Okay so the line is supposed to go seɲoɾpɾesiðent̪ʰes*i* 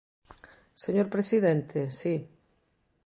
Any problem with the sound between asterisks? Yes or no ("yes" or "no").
no